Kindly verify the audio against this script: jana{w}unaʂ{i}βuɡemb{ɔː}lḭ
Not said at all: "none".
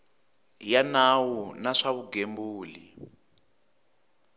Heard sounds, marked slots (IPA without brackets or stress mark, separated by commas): w, a, uː